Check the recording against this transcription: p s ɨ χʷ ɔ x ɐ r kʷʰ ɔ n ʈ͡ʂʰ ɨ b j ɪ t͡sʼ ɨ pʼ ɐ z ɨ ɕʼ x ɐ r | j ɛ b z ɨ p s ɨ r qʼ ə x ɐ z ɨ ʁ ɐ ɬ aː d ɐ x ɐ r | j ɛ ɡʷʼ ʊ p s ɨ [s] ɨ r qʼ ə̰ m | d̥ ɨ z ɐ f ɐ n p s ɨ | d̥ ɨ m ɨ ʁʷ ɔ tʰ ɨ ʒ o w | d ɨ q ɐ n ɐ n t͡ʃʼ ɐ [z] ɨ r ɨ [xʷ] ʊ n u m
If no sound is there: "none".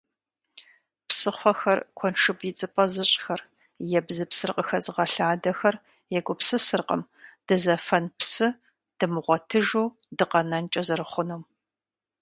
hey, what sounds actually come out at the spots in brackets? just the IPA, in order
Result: s, z, χʷ

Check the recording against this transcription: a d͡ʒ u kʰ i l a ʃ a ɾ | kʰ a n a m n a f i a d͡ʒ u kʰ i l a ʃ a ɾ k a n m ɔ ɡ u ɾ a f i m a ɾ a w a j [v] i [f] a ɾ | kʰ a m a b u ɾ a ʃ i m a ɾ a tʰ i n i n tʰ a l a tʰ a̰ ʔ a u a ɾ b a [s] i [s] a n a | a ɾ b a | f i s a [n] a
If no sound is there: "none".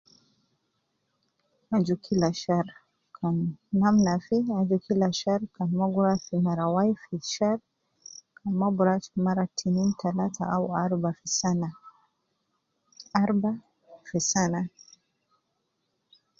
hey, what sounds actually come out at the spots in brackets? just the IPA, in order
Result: f, ʃ, f, s, n

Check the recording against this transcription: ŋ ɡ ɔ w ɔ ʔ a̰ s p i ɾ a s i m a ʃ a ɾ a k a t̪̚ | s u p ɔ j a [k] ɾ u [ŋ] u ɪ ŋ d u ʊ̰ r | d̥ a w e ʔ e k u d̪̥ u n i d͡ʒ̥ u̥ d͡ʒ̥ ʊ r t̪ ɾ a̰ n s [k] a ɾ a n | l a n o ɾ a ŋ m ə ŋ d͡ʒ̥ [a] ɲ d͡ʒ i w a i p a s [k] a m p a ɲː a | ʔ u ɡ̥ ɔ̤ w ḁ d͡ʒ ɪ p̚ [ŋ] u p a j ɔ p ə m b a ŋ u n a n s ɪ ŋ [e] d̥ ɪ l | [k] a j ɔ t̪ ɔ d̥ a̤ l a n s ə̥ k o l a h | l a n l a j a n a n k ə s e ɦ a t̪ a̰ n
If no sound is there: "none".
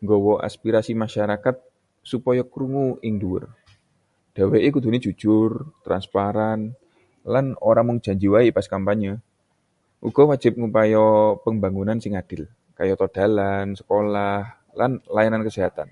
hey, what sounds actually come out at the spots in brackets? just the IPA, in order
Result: k, ŋ, p, a, k, ŋ, a, k

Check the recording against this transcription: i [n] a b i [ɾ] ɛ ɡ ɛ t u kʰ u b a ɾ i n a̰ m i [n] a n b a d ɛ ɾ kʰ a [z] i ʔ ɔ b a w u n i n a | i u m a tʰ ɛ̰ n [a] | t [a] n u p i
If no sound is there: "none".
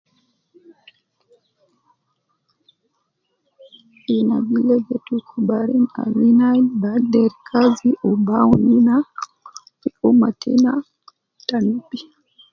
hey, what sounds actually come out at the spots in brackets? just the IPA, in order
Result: n, l, n, z, a, a

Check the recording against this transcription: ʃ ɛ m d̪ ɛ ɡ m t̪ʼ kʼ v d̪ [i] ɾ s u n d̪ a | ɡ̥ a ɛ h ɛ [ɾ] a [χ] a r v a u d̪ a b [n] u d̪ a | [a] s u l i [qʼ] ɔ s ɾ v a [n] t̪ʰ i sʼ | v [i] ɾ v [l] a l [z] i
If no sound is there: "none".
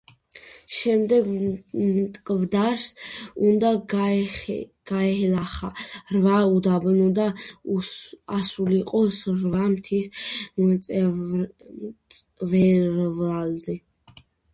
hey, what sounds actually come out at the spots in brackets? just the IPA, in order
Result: a, l, χ, n, a, qʼ, m, ɛ, l, z

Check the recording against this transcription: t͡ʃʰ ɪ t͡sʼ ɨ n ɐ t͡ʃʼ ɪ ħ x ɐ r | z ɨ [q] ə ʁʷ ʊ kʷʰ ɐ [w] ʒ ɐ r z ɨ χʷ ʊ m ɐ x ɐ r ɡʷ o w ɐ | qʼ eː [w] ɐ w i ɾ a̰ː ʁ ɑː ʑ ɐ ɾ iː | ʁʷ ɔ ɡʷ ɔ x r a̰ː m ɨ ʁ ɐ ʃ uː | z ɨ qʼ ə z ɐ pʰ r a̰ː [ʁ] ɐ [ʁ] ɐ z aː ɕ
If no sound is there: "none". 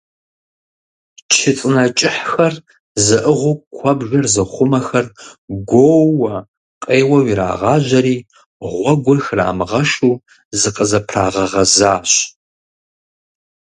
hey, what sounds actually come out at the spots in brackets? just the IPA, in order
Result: ʔ, b, w, ʁ, ʁ

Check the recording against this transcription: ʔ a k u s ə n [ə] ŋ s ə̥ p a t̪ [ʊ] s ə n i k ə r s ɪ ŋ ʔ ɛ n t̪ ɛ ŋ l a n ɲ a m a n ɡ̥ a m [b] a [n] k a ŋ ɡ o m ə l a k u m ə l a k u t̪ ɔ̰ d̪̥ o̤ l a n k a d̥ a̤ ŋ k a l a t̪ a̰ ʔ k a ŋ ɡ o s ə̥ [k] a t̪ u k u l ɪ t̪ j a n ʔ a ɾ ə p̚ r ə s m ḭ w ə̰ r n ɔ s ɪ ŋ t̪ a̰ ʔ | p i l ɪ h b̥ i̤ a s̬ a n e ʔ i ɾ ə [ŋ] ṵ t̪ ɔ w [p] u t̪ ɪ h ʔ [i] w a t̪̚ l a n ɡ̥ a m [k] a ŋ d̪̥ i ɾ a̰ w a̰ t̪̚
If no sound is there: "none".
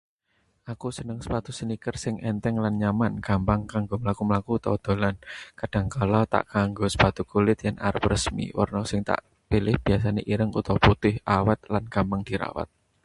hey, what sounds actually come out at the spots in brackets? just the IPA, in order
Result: ə, u, p, ŋ, p, ŋ, p, a, p

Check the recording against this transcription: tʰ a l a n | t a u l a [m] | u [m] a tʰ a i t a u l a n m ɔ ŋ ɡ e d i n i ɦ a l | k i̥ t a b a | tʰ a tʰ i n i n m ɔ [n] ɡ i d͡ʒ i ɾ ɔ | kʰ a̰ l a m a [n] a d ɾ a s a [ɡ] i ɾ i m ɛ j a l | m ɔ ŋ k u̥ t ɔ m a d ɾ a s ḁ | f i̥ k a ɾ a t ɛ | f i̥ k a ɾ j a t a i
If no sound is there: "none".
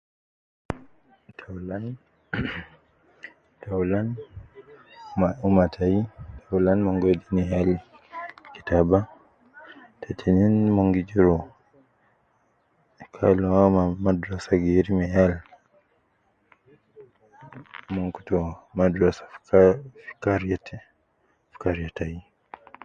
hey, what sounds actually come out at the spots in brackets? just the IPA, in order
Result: n, m, ŋ, m, ɡ

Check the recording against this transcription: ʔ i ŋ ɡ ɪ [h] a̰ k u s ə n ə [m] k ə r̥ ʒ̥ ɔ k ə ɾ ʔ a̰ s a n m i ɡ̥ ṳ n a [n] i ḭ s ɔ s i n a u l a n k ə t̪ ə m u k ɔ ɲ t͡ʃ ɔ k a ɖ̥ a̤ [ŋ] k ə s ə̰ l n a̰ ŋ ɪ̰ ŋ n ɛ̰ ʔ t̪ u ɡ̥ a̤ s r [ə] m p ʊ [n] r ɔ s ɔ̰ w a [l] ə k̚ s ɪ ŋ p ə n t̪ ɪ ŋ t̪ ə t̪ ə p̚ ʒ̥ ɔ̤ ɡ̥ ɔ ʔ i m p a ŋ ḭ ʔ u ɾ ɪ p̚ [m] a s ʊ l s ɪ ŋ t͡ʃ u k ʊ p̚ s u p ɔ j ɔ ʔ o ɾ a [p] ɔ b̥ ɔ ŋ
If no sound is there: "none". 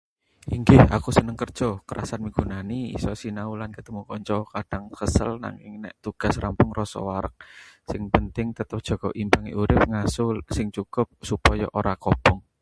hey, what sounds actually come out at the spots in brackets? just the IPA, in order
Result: h, ŋ, n, ŋ, a, ŋ, ɾ, ŋ, k

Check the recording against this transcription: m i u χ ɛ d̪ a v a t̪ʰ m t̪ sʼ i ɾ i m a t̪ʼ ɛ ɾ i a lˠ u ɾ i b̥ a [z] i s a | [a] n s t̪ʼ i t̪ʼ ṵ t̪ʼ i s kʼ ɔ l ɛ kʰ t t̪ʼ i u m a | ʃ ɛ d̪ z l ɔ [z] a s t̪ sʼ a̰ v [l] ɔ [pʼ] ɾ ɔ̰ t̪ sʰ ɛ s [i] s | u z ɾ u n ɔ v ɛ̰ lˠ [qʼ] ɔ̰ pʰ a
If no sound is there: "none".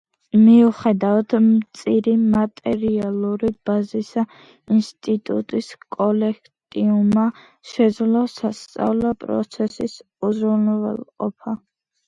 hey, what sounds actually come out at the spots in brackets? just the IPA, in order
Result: z, i, s, l, pʼ, i, qʼ

